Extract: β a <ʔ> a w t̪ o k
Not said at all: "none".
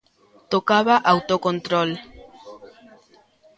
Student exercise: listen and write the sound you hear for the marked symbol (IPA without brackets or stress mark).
ʔ